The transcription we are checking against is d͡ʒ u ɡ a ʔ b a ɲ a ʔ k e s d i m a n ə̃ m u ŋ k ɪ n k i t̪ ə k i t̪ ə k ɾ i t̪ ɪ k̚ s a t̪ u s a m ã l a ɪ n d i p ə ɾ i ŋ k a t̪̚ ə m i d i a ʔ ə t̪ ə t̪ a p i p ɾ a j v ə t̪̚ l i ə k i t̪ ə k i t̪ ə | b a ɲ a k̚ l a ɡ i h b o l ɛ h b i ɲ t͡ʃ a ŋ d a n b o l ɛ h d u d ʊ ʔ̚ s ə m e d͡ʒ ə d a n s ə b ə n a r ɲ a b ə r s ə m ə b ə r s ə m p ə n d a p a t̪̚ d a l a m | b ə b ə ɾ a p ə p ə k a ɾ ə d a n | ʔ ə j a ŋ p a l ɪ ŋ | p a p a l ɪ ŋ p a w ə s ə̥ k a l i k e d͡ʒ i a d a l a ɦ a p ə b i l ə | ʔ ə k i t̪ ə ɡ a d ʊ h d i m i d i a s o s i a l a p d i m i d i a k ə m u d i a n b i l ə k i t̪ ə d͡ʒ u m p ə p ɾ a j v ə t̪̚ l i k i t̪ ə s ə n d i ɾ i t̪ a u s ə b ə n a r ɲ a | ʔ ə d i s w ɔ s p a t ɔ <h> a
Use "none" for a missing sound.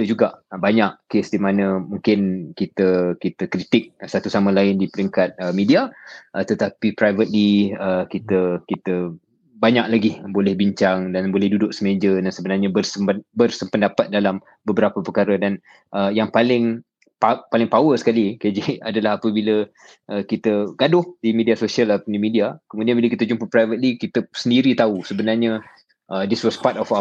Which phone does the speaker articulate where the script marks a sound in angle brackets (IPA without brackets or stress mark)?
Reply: f